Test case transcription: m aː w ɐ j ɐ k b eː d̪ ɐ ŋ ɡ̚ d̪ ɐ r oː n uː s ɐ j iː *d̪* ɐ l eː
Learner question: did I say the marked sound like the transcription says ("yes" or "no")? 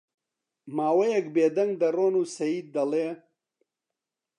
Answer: no